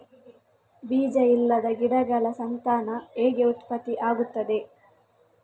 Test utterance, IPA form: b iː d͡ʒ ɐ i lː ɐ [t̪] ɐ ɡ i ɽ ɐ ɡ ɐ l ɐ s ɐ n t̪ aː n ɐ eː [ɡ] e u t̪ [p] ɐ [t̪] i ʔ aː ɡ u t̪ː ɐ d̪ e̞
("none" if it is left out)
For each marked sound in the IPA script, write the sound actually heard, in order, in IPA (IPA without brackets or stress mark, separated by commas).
d̪, ɡ, p, t̪